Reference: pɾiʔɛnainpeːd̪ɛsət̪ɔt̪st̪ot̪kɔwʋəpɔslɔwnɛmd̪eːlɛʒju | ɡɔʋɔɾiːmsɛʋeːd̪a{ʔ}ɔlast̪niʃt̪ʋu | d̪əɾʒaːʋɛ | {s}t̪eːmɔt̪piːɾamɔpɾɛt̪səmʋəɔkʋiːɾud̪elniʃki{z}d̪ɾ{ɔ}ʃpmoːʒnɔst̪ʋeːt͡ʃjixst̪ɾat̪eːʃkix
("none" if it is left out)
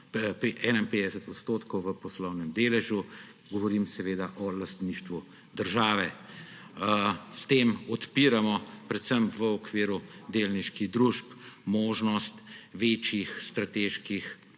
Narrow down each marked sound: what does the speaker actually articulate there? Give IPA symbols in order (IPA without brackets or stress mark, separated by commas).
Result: ʔ, s, ɣ, u